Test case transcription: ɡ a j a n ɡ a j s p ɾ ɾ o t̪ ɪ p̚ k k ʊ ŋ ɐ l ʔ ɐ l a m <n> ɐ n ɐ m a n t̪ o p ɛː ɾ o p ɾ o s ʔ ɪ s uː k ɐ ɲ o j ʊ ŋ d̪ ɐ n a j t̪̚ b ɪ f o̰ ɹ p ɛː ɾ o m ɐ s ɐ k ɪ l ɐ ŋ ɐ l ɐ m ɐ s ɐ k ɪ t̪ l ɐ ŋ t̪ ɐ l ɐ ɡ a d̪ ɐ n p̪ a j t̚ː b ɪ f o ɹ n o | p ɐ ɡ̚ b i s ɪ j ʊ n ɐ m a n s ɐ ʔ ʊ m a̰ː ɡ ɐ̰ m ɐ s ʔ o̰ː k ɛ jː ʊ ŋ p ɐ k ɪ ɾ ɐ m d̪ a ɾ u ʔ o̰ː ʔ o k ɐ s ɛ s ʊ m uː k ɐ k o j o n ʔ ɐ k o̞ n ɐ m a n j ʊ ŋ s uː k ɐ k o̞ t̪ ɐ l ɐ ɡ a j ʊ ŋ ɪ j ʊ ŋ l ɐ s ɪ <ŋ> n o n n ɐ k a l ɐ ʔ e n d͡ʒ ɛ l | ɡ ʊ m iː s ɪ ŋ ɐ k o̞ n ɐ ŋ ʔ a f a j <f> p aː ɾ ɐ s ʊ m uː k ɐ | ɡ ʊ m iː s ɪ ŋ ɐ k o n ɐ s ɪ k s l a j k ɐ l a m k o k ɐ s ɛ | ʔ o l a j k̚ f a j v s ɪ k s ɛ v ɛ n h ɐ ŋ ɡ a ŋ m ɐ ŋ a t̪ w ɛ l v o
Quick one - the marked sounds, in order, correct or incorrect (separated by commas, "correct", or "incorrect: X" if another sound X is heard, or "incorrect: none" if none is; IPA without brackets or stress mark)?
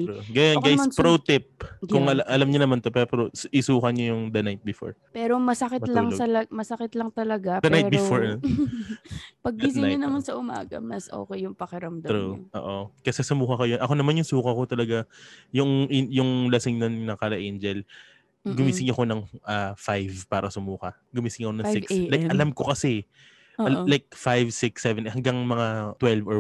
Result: incorrect: ɲ, correct, incorrect: v